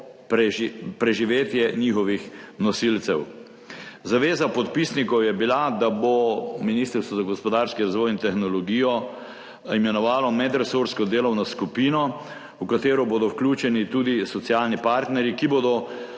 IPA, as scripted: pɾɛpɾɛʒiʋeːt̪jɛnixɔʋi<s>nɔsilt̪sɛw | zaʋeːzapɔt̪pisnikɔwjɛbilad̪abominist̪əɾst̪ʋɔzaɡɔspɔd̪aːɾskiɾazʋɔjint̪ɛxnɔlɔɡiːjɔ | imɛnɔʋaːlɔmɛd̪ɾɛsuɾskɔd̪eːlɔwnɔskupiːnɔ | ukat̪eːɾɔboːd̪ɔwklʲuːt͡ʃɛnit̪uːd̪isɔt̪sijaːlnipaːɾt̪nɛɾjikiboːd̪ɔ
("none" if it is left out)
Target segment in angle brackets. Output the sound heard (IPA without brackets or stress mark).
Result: x